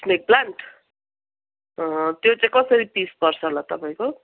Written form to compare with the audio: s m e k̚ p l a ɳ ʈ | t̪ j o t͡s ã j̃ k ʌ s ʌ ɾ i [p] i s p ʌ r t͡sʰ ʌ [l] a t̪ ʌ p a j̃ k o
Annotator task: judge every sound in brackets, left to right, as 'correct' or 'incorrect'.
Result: correct, correct

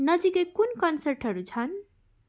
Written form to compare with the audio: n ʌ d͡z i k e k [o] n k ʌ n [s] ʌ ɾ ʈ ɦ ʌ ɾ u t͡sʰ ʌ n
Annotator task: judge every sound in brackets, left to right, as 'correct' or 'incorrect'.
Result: incorrect: u, correct

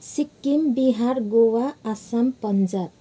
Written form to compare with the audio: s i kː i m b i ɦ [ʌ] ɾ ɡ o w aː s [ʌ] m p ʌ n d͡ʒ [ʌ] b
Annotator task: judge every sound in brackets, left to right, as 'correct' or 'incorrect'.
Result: incorrect: a, incorrect: a, incorrect: a

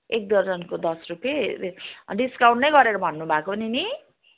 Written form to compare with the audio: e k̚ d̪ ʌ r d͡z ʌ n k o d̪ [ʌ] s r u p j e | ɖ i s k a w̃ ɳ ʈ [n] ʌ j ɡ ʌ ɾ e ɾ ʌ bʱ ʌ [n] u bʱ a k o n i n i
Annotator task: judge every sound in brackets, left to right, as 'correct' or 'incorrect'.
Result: correct, correct, incorrect: nː

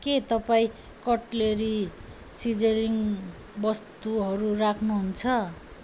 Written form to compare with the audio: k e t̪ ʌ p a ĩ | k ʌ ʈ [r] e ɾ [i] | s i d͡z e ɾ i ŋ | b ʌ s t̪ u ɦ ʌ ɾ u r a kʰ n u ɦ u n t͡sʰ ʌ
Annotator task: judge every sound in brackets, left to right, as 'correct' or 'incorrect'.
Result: incorrect: l, correct

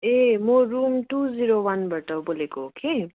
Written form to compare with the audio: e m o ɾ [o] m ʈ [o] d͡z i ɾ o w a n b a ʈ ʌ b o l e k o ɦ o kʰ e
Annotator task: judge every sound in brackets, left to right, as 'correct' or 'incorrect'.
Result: incorrect: u, incorrect: u

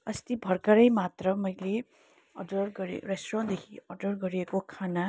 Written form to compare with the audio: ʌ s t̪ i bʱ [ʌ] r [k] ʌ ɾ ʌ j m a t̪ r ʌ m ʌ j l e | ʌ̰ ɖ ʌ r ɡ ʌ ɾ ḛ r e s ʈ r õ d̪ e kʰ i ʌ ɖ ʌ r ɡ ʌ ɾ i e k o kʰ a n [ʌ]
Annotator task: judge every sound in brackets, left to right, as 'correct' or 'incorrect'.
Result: correct, correct, incorrect: a

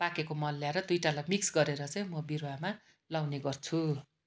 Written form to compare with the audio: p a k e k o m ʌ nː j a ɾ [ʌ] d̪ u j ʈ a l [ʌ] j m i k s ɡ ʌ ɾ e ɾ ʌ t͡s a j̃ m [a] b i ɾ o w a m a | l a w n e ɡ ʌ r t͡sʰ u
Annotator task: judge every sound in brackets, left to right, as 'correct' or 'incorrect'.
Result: correct, incorrect: a, incorrect: ʌ

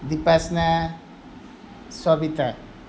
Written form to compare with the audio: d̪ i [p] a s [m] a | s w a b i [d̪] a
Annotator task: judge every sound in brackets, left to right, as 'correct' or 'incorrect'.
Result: correct, incorrect: n, incorrect: t̪

